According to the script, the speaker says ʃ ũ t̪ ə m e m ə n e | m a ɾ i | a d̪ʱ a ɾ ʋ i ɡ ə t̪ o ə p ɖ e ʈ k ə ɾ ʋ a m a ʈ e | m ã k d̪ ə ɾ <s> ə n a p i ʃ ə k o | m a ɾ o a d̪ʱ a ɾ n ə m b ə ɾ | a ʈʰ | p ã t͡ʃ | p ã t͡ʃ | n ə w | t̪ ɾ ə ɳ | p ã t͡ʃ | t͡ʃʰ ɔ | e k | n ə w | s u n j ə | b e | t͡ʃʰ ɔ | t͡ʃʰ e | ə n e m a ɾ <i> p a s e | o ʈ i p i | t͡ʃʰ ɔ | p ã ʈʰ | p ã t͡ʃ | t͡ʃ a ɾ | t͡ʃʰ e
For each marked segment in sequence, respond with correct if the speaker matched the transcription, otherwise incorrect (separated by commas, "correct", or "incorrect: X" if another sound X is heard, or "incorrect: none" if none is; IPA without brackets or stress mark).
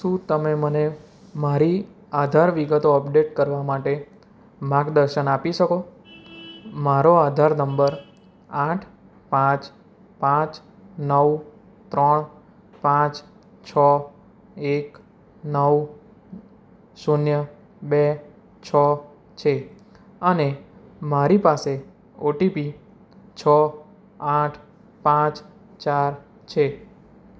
incorrect: ʃ, correct